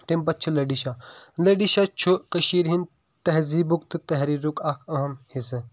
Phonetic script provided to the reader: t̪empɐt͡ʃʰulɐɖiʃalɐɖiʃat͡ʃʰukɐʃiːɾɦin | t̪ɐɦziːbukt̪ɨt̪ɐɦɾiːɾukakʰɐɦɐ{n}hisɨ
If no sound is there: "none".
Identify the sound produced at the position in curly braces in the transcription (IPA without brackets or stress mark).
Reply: m